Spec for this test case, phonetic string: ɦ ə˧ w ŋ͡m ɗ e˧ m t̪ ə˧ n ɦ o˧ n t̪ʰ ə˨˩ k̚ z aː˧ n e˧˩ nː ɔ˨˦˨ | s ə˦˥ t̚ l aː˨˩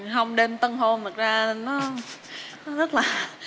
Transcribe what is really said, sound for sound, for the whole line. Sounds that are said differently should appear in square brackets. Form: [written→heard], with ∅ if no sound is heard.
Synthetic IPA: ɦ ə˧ w ŋ͡m ɗ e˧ m t̪ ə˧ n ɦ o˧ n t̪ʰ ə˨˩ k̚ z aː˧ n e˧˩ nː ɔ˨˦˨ | [s→z] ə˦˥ t̚ l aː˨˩

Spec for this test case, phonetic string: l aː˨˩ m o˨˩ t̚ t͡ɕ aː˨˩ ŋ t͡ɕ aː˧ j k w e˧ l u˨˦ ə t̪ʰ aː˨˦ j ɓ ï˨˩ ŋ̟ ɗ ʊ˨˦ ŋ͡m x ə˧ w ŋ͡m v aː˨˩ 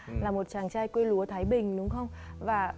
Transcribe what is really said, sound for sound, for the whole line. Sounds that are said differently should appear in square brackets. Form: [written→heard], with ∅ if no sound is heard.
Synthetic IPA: l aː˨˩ m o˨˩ t̚ t͡ɕ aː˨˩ ŋ t͡ɕ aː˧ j k w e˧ l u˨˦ ə t̪ʰ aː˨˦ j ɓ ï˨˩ ŋ̟ ɗ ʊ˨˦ ŋ͡m x ə˧ w ŋ͡m v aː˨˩

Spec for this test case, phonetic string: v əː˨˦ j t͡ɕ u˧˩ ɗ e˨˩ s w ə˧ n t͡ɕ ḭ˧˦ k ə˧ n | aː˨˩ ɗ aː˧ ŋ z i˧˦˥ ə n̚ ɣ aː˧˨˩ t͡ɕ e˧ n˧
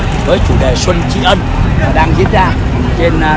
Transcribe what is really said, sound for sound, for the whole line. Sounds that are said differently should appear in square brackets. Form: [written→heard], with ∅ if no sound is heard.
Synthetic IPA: v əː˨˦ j t͡ɕ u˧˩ ɗ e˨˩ s w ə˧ n t͡ɕ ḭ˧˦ [k→ʔ] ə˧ n | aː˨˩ ɗ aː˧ ŋ z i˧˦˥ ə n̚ [ɣ→z] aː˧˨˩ t͡ɕ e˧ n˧

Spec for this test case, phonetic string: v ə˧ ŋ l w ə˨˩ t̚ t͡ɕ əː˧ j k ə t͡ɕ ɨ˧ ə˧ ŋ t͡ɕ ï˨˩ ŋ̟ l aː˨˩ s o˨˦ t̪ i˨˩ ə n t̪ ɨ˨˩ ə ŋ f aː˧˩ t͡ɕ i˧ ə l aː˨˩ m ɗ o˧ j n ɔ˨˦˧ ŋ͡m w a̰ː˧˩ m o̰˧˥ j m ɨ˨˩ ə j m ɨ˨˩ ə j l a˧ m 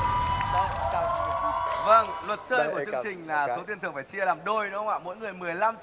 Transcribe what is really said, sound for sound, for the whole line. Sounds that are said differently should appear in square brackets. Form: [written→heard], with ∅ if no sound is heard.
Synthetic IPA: v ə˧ ŋ l w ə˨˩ t̚ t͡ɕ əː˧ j k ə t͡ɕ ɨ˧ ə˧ ŋ t͡ɕ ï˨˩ ŋ̟ l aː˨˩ s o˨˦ t̪ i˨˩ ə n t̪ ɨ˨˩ ə ŋ f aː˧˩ t͡ɕ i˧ ə l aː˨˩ m ɗ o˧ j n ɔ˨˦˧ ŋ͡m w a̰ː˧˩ m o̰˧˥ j [m→ŋ] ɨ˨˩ ə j m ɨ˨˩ ə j l a˧ m

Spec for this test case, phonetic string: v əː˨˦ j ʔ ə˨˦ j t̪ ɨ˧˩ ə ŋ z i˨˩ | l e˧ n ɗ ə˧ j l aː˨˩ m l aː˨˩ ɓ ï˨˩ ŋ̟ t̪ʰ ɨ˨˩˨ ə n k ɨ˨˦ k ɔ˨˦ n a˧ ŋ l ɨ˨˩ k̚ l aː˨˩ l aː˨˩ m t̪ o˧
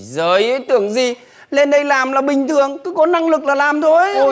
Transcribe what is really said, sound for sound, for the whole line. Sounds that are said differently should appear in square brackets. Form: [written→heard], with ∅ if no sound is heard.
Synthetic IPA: [v→z] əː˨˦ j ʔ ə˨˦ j t̪ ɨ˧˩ ə ŋ z i˨˩ | l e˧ n ɗ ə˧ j l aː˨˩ m l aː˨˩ ɓ ï˨˩ ŋ̟ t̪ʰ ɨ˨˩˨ ə [n→ŋ] k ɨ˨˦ k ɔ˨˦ n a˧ ŋ l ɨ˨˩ k̚ l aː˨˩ l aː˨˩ m [t̪→t̪ʰ] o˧

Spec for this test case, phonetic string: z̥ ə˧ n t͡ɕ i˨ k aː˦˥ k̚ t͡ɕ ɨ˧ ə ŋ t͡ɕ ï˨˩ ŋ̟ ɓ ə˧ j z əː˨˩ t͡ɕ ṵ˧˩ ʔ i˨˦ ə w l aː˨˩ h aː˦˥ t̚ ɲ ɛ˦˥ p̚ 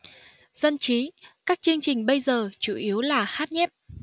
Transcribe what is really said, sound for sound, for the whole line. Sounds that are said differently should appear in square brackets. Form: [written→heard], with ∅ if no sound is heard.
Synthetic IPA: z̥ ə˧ n t͡ɕ [i˨→i˨˦] k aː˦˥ k̚ t͡ɕ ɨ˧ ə ŋ t͡ɕ ï˨˩ ŋ̟ ɓ ə˧ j z əː˨˩ t͡ɕ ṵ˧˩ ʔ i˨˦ ə w l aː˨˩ h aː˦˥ t̚ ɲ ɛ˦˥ p̚

